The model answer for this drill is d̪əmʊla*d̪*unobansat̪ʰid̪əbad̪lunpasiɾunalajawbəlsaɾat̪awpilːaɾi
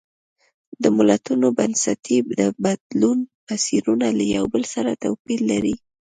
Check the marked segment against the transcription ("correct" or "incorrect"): incorrect